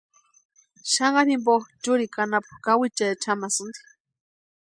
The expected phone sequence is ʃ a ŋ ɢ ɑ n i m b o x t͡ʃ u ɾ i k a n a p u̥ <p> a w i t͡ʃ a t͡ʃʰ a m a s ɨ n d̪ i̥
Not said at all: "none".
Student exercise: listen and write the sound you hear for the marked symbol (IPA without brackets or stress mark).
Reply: k